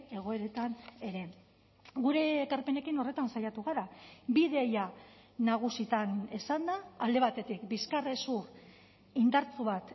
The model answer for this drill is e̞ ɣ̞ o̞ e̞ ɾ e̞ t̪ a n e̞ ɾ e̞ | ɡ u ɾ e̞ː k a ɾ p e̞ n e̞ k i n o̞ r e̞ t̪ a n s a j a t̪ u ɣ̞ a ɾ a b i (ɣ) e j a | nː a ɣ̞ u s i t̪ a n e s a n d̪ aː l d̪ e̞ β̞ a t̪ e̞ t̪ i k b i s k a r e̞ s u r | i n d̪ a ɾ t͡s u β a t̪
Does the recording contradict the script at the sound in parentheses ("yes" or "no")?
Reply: yes